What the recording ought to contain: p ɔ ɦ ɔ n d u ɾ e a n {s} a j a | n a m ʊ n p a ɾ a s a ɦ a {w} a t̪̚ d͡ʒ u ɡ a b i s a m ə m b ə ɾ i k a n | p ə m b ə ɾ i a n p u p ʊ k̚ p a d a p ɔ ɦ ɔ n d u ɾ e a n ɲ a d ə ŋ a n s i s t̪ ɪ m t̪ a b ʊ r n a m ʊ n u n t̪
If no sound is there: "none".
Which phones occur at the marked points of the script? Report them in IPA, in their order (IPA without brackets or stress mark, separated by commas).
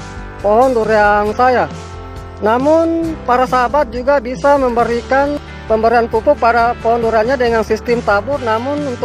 s, b